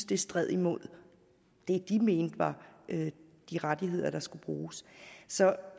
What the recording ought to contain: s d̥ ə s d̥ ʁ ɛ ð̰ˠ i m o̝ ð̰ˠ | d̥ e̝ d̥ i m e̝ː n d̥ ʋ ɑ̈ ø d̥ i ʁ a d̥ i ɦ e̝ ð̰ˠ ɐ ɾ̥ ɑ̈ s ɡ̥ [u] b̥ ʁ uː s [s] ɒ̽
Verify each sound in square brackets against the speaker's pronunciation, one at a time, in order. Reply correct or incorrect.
correct, correct

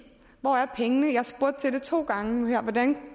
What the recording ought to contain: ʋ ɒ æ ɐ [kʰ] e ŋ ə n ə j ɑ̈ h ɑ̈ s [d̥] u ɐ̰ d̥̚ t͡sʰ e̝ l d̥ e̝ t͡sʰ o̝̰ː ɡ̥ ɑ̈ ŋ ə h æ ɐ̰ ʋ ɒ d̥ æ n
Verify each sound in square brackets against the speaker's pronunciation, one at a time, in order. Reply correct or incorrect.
incorrect: pʰ, incorrect: b̥

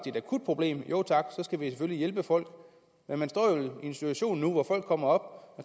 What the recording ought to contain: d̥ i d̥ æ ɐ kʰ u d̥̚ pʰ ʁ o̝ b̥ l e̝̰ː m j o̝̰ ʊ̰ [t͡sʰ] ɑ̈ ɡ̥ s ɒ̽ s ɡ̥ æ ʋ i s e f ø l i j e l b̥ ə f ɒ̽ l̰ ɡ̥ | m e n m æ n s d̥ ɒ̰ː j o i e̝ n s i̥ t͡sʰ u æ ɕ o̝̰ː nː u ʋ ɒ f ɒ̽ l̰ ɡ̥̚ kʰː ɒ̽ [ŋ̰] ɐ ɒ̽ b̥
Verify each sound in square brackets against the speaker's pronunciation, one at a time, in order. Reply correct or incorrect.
correct, incorrect: m̰

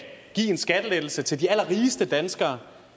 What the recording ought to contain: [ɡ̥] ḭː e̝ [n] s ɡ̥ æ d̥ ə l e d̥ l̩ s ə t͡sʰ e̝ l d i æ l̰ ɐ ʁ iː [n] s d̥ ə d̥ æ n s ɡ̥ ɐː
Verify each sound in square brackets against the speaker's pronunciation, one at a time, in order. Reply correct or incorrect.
correct, correct, incorrect: none

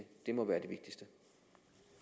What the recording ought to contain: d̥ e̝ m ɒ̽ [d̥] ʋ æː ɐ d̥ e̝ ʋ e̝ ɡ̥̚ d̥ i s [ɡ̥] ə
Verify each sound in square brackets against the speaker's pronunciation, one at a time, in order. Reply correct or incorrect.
incorrect: none, incorrect: d̥

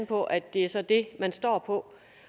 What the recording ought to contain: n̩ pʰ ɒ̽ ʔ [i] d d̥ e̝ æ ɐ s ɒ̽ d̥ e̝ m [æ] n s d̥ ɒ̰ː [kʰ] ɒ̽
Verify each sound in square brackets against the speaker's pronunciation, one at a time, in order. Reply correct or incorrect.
incorrect: æ, correct, incorrect: pʰ

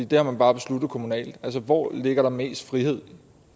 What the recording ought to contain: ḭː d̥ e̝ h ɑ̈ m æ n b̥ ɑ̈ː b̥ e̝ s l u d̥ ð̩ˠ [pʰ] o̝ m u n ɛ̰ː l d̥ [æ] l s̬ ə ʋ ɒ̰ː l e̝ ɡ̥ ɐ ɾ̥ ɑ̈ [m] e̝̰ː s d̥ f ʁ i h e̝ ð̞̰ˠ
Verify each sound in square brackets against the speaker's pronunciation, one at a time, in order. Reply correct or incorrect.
incorrect: kʰ, correct, correct

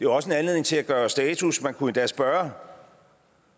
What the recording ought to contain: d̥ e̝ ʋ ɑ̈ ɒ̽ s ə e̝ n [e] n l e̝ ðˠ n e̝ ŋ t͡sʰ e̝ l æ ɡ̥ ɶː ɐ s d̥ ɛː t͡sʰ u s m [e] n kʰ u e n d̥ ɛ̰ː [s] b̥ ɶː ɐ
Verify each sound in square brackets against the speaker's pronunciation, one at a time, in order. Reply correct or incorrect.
incorrect: æ, incorrect: æ, correct

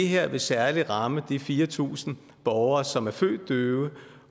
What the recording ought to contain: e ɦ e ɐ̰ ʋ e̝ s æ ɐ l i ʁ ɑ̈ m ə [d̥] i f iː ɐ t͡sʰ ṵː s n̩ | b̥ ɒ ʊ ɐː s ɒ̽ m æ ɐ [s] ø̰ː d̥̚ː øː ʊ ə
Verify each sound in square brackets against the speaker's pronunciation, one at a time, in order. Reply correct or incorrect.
correct, incorrect: f

